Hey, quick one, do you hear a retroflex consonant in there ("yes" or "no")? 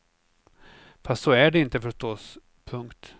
yes